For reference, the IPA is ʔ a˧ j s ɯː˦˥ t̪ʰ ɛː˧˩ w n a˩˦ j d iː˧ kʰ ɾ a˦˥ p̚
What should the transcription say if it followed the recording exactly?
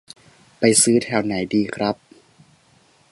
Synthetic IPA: p a˧ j s ɯː˦˥ t̪ʰ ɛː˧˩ w n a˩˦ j d iː˧ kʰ ɾ a˦˥ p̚